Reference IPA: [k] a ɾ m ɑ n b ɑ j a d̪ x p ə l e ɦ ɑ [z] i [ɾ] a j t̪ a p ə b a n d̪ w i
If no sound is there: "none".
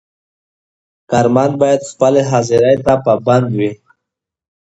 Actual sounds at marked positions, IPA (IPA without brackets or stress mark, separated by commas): k, z, ɾ